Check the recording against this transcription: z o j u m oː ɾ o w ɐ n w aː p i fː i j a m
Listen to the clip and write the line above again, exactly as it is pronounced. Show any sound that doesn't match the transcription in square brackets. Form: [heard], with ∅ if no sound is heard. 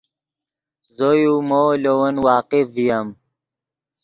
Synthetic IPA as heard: z o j u m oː [l] o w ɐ n w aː [q] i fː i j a m